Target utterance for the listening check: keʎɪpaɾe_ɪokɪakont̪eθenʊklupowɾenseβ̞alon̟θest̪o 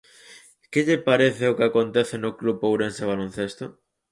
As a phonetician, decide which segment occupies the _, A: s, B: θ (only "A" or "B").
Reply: B